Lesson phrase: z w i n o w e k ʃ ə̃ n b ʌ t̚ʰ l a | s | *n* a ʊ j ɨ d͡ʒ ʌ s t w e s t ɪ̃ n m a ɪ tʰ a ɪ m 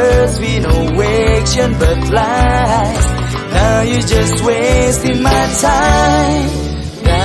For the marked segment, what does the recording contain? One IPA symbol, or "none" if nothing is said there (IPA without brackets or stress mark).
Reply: n